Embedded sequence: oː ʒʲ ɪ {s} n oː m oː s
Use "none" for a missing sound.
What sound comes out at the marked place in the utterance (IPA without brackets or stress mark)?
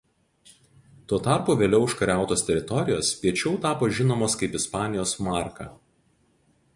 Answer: none